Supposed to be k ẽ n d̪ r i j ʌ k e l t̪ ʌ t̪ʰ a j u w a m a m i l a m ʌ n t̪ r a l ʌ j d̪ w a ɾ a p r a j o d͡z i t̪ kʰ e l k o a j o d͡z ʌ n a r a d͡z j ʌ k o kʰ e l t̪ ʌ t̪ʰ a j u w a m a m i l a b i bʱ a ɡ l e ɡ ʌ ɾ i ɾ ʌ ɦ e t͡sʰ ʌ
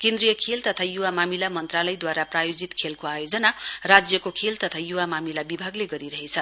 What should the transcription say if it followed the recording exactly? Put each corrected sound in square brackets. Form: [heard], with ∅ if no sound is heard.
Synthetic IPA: k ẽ n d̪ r i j ʌ [kʰ] e l t̪ ʌ t̪ʰ a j u w a m a m i l a m ʌ n t̪ r a l ʌ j d̪ w a ɾ a p r a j o d͡z i t̪ kʰ e l k o a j o d͡z ʌ n a r a d͡z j ʌ k o kʰ e l t̪ ʌ t̪ʰ a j u w a m a m i l a b i bʱ a ɡ l e ɡ ʌ ɾ i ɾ ʌ ɦ e t͡sʰ ʌ

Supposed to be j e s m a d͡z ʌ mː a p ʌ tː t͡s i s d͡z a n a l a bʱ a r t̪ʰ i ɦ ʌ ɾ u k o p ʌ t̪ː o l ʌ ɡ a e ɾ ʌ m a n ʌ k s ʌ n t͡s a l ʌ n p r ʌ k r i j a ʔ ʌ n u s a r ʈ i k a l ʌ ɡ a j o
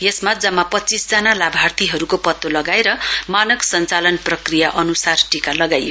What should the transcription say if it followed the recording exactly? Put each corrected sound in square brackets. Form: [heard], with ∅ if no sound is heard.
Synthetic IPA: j e s m a d͡z ʌ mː a p ʌ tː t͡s i s d͡z a n a l a bʱ a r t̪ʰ i ɦ ʌ ɾ u k o p ʌ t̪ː o l ʌ ɡ a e ɾ ʌ m a n ʌ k s ʌ n t͡s a l ʌ n p r ʌ k r i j a ʔ ʌ n u s a r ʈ i k a l ʌ ɡ a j o

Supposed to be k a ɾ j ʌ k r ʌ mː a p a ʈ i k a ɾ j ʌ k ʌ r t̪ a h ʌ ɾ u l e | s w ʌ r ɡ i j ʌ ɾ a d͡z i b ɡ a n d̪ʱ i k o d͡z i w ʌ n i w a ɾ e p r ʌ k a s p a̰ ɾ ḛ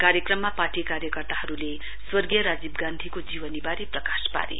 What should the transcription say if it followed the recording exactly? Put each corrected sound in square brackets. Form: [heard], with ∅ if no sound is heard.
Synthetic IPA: k a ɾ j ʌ k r ʌ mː a p a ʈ i k a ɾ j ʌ k ʌ r t̪ a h ʌ ɾ u l e | s w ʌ r ɡ i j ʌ ɾ a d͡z i b ɡ a n d̪ʱ i k o d͡z i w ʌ n i [b] a ɾ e p r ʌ k a s p a̰ ɾ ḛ

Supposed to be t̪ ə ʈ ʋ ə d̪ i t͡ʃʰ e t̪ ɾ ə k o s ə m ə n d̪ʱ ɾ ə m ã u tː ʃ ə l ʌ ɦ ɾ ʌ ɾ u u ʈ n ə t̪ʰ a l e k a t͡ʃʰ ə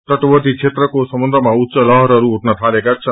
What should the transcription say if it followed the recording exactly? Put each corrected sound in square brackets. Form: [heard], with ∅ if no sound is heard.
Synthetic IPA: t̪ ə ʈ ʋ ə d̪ i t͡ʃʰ e t̪ ɾ ə k o s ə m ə n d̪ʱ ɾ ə m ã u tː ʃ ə l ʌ ɦ ɾ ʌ ɾ u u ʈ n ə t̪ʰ a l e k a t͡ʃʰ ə

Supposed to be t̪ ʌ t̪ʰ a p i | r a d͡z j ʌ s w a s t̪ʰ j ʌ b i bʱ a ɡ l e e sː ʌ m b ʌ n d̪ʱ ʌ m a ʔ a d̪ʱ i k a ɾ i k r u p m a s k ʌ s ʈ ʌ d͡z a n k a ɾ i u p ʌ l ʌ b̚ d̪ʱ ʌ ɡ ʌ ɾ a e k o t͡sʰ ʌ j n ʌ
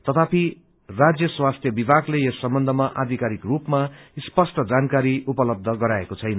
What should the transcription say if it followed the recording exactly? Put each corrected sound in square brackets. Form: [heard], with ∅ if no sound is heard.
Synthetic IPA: t̪ ʌ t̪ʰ a p i | r a d͡z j ʌ s w a s t̪ʰ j ʌ b i bʱ a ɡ l e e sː ʌ m b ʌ n d̪ʱ ʌ m a ʔ a d̪ʱ i k a ɾ i k r u p m a s [p] ʌ s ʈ ʌ d͡z a n k a ɾ i u p ʌ l ʌ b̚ d̪ʱ ʌ ɡ ʌ ɾ a e k o t͡sʰ ʌ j n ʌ

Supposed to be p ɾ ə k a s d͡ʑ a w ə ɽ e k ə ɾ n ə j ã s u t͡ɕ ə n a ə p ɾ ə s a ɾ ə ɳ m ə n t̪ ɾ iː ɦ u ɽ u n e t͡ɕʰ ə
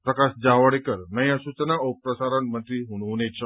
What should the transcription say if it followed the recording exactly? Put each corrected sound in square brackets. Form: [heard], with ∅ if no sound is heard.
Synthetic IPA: p ɾ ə k a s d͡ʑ a [ʋ] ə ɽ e k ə ɾ n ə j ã s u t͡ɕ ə n a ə p ɾ ə s a ɾ ə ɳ m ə n t̪ ɾ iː ɦ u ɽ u n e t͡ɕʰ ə

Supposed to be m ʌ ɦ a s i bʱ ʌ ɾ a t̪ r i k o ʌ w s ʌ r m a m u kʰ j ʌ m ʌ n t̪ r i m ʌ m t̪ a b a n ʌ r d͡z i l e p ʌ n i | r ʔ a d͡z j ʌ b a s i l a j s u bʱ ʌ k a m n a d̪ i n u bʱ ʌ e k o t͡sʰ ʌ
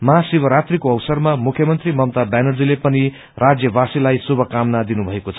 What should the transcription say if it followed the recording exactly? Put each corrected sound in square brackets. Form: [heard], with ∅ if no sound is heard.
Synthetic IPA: m ʌ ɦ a s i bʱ ʌ ɾ a t̪ r i k o ʌ w s ʌ r m a m u kʰ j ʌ m ʌ n t̪ r i m ʌ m t̪ a b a n ʌ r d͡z i l e p ʌ n i | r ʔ a d͡z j ʌ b a s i l a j s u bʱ ʌ k a m n a d̪ i n u bʱ ʌ e k o t͡sʰ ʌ

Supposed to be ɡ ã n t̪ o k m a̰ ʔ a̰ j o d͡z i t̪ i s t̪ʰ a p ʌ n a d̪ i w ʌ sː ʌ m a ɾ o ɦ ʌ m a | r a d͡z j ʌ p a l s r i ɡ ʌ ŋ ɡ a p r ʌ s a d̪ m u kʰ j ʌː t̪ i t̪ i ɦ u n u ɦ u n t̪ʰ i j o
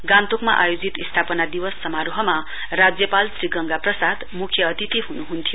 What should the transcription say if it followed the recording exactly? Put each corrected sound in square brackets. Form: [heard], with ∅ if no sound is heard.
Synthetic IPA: ɡ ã n t̪ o k m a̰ ʔ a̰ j o d͡z i t̪ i s t̪ʰ a p ʌ n a d̪ i w ʌ sː ʌ m a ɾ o ɦ ʌ m a | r a d͡z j ʌ p a l s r i ɡ ʌ ŋ ɡ a p r ʌ s a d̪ m u kʰ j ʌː t̪ i t̪ i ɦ u n u ɦ u n t̪ʰ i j o

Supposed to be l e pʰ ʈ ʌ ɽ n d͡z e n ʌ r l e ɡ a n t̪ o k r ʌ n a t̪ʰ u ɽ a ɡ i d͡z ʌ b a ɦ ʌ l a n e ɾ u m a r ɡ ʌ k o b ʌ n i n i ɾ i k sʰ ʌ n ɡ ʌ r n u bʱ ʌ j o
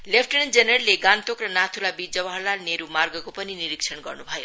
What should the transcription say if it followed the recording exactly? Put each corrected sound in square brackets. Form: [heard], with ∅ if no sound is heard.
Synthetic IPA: l e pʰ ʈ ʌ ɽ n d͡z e n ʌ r l e ɡ a n t̪ o k r ʌ n a t̪ʰ u [l] a [b] i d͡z ʌ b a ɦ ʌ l a n e ɾ u m a r ɡ ʌ k o [p] ʌ n i n i ɾ i k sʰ ʌ n ɡ ʌ r n u bʱ ʌ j o

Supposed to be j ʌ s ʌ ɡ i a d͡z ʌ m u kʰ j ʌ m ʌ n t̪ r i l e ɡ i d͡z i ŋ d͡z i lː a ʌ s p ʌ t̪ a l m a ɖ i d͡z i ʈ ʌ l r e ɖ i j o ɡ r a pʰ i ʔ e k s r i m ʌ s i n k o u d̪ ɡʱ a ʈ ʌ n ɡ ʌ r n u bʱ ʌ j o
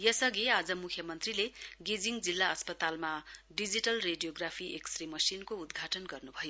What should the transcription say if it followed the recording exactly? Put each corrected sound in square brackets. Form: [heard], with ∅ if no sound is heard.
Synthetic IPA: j ʌ s ʌ ɡ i a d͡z ʌ m u kʰ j ʌ m ʌ n t̪ r i l e ɡ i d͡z i ŋ d͡z i lː a ʌ s p ʌ t̪ a l m a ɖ i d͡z i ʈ ʌ l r e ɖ i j o ɡ r a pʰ i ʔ e k s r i m ʌ s i n k o u d̪ ɡʱ a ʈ ʌ n ɡ ʌ r n u bʱ ʌ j o

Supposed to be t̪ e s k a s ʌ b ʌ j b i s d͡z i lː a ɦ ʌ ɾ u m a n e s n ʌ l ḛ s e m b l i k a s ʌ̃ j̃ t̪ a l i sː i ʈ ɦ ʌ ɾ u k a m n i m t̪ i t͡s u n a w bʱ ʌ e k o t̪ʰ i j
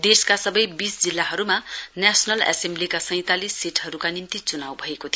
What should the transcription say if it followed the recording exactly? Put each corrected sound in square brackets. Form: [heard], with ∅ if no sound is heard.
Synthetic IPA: [d̪] e s k a s ʌ b ʌ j b i s d͡z i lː a ɦ ʌ ɾ u m a n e s n ʌ l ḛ s e m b l i k a s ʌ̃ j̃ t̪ a l i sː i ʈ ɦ ʌ ɾ u k a [∅] n i m t̪ i t͡s u n a w bʱ ʌ e k o t̪ʰ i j

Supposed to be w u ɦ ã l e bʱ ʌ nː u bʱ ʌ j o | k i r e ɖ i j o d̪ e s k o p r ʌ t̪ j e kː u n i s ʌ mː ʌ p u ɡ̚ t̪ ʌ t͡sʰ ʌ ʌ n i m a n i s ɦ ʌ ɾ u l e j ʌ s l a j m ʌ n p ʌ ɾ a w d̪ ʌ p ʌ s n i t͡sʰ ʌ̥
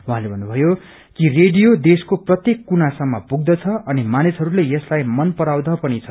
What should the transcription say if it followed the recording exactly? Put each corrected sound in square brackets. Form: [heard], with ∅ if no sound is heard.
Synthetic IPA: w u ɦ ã l e bʱ ʌ nː u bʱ ʌ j o | k i r e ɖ i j o d̪ e s k o p r ʌ t̪ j e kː u n [a] s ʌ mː ʌ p u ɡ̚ [d̪] ʌ t͡sʰ ʌ ʌ n i m a n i s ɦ ʌ ɾ u l e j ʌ s l a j m ʌ n p ʌ ɾ a w d̪ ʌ p ʌ [∅] n i t͡sʰ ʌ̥

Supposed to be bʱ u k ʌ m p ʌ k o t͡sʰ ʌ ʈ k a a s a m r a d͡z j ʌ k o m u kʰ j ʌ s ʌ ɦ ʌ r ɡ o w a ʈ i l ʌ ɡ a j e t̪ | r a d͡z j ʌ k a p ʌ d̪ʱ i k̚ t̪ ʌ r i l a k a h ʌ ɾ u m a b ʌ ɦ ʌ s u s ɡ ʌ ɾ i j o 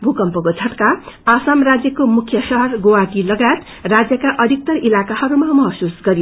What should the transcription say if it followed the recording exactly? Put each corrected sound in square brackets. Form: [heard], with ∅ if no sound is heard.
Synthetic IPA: bʱ u k ʌ m p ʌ k o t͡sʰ ʌ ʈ k a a s a m r a d͡z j ʌ k o m u kʰ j ʌ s ʌ ɦ ʌ r ɡ o w a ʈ i l ʌ ɡ a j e t̪ | r a d͡z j ʌ k a [ʔ] ʌ d̪ʱ i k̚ t̪ ʌ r i l a k a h ʌ ɾ u m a [m] ʌ ɦ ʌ s u s ɡ ʌ ɾ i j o

